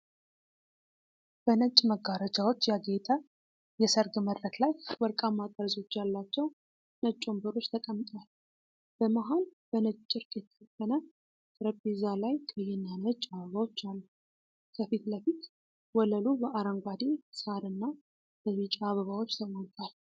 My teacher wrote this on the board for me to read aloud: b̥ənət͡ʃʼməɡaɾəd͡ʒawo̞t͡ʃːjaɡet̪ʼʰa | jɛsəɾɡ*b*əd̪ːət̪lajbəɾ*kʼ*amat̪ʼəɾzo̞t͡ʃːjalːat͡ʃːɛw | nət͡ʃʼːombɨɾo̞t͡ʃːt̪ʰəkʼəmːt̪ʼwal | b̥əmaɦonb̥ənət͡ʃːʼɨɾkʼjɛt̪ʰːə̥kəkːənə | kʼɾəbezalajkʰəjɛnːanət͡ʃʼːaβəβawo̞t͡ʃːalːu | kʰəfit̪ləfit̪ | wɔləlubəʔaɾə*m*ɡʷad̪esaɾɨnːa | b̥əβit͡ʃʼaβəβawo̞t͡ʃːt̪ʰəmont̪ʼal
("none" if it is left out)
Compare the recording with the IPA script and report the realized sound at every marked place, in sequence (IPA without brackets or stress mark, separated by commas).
m, kʼ, ŋ